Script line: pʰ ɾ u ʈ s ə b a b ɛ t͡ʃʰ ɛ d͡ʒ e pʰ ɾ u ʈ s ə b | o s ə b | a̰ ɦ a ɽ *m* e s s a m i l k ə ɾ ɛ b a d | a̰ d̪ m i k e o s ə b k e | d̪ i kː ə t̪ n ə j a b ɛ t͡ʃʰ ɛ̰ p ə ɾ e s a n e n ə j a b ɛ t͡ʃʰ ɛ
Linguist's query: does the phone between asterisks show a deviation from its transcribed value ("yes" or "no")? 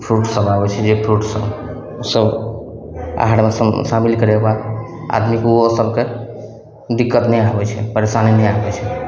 no